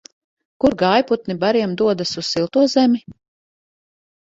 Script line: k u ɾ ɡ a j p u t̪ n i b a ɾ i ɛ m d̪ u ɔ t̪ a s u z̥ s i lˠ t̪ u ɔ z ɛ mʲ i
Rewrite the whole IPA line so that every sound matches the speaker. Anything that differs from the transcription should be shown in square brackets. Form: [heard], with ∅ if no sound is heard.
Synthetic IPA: k u ɾ ɡ a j p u t̪ n i b a ɾ i ɛ m d̪ u ɔ [d̪] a s u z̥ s i lˠ t̪ u ɔ z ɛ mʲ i